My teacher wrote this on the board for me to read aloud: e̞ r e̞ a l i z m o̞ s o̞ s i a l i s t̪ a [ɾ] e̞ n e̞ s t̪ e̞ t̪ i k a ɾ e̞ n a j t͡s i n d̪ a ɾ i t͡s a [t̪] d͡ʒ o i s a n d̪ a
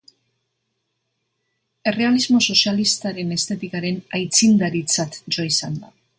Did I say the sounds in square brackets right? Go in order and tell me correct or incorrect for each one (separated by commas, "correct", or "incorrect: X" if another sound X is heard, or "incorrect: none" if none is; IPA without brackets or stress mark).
correct, correct